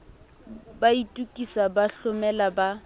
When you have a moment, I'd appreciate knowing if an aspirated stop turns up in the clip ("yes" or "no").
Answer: no